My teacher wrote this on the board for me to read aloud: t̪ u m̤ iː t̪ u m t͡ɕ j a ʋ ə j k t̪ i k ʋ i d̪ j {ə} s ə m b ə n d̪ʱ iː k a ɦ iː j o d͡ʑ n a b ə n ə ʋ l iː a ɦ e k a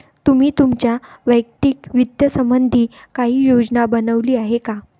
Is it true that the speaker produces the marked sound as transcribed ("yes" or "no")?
yes